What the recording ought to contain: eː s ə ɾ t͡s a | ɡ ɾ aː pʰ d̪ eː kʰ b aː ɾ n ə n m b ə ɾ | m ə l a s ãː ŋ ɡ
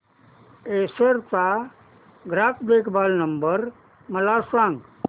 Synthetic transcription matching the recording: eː s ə ɾ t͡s a | ɡ ɾ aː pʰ d̪ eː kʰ b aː l n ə m b ə ɾ | m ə l a s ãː ŋ ɡ